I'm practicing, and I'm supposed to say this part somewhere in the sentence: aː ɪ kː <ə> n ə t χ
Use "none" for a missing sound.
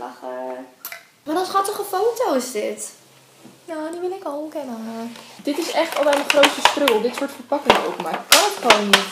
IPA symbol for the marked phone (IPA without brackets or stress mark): ɑ